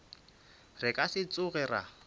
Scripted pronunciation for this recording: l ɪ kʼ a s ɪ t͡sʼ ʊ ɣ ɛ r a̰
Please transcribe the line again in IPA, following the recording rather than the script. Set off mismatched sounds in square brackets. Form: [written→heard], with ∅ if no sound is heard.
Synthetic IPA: [l→r] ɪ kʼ a s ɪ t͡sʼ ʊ ɣ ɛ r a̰